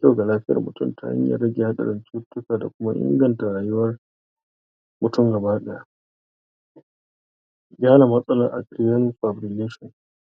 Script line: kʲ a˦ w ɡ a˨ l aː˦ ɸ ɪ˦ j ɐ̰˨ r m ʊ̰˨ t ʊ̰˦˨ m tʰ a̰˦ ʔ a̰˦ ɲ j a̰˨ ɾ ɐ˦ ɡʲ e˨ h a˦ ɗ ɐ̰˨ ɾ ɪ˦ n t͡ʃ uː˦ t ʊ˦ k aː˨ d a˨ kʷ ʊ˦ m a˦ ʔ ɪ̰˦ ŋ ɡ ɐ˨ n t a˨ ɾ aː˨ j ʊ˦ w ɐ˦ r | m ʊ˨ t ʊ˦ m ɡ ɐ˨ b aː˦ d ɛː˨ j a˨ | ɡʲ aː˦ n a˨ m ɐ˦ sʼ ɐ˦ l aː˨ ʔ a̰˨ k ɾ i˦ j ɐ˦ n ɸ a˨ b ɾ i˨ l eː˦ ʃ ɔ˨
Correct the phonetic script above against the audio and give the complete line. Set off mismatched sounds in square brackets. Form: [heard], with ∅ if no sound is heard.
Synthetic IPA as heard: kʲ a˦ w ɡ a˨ l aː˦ ɸ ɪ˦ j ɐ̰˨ r m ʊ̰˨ t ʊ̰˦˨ m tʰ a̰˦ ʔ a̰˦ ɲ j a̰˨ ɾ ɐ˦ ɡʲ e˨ h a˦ ɗ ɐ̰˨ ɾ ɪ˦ n t͡ʃ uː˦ t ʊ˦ k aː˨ d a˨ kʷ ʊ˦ m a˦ ʔ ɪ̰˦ ŋ ɡ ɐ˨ n t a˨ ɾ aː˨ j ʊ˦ w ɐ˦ r | m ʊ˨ t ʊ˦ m ɡ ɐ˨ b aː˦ [ɗ] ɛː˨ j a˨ | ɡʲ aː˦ n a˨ m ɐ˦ sʼ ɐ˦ l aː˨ ʔ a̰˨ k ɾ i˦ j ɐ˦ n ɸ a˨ b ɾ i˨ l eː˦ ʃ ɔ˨